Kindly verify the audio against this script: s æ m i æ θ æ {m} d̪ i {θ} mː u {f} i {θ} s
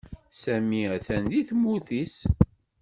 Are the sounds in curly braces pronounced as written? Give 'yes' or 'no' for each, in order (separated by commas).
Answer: no, yes, no, no